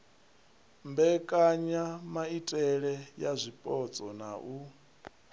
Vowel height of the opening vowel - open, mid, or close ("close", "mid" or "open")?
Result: mid